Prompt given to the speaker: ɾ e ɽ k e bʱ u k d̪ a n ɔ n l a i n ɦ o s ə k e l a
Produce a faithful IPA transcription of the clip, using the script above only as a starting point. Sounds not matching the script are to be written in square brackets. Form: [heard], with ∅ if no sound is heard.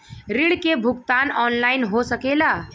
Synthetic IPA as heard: ɾ [i] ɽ k e bʱ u k [t̪] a n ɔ n l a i n ɦ o s ə k e l a